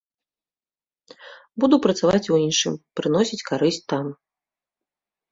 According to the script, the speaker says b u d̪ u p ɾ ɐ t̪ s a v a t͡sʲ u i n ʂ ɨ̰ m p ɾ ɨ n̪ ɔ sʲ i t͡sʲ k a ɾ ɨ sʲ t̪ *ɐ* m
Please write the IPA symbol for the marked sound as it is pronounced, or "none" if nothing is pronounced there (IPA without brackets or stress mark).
a